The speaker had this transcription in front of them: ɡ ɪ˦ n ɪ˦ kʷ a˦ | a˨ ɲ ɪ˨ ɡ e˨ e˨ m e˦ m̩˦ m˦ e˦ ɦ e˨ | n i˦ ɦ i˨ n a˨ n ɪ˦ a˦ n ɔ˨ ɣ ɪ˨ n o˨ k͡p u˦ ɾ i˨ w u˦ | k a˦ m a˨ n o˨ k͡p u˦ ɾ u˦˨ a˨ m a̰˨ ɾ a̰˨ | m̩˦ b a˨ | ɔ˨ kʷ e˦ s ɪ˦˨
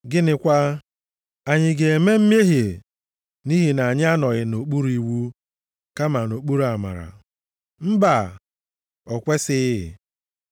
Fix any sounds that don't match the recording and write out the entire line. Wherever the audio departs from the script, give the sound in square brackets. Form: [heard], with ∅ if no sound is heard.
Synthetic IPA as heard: ɡ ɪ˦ n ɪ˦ kʷ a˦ | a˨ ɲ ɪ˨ ɡ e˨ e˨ m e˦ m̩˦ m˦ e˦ ɦ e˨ | n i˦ ɦ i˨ n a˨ [ɲ] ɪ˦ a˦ n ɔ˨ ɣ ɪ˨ n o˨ k͡p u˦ ɾ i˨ w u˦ | k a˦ m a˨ n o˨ k͡p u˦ ɾ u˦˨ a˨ m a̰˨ ɾ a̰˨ | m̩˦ b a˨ | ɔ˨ kʷ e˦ s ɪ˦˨